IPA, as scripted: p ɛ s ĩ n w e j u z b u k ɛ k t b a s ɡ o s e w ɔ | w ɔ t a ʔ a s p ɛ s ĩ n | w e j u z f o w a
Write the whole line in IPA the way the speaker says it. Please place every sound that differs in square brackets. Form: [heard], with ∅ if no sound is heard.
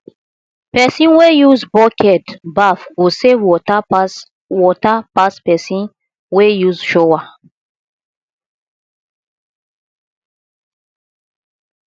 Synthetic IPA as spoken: p ɛ s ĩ n w e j u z b [ɔ] k ɛ [∅] t b a [f] ɡ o s e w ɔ | w ɔ t a [p] a s p ɛ s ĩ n | w e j u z [ʃ] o w a